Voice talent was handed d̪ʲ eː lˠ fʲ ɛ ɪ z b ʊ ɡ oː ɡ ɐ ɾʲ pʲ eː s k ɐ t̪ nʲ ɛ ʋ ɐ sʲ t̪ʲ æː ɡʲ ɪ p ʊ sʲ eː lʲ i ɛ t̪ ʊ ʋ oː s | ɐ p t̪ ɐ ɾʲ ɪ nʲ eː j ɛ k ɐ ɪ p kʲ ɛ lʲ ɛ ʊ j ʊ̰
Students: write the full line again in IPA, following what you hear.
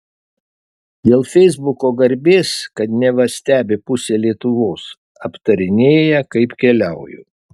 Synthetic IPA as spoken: d̪ʲ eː lˠ fʲ ɛ ɪ z b ʊ k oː ɡ ɐ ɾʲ bʲ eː s k ɐ t̪ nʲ ɛ ʋ ɐ sʲ t̪ʲ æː bʲ ɪ p ʊ sʲ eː lʲ i ɛ t̪ ʊ ʋ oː s | ɐ p t̪ ɐ ɾʲ ɪ nʲ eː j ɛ k ɐ ɪ p kʲ ɛ lʲ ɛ ʊ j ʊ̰